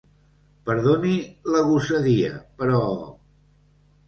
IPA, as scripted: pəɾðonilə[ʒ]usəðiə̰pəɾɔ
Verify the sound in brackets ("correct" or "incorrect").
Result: incorrect